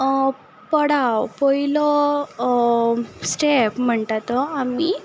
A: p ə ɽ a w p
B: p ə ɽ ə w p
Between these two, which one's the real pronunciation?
A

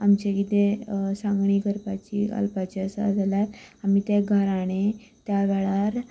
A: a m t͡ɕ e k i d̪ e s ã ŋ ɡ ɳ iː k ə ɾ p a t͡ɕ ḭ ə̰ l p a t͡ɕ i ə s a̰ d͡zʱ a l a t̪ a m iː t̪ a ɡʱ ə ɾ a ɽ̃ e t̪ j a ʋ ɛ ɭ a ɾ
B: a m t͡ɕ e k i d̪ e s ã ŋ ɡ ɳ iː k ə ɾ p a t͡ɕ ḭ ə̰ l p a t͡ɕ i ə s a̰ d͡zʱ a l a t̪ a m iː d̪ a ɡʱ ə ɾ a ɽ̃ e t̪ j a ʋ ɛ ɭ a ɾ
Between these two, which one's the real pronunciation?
A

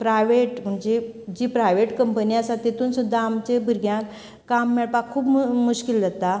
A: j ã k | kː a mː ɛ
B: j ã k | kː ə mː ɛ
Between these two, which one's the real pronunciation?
A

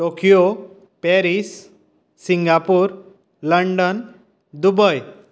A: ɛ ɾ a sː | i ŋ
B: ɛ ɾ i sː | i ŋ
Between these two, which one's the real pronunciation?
B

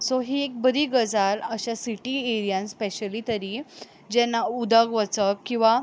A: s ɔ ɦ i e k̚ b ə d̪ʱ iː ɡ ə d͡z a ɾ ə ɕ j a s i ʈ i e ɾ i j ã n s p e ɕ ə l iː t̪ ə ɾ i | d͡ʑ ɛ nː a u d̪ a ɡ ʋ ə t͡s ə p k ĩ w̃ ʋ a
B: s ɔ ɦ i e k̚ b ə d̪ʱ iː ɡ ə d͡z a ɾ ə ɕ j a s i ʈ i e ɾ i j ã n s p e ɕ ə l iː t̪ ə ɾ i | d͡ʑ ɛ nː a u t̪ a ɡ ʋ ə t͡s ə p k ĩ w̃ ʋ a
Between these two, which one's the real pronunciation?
A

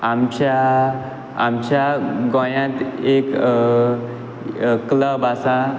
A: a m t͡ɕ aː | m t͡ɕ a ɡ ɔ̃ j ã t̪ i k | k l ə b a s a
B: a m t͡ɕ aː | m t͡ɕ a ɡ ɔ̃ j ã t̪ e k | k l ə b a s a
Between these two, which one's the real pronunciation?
B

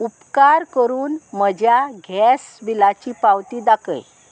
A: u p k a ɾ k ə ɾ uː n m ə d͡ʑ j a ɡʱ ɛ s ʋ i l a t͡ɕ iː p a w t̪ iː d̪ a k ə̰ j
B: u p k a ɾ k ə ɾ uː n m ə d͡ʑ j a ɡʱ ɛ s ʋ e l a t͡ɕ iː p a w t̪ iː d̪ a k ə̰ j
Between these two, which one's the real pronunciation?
A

